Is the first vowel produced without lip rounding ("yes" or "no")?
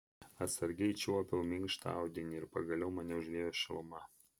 yes